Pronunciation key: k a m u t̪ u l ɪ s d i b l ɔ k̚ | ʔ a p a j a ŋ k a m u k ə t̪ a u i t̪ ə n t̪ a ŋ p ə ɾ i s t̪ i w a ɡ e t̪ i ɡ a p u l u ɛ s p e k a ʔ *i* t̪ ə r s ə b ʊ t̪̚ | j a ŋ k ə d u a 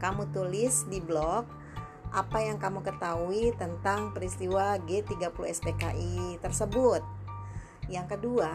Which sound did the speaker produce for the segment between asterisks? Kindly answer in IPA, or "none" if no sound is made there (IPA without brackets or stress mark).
i